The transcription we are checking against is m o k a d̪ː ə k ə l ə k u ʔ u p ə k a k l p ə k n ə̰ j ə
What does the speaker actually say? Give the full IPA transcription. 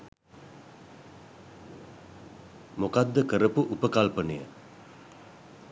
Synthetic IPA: m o k a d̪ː ə k ə ɾ ə p u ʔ u p ə k a l p ə n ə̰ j ə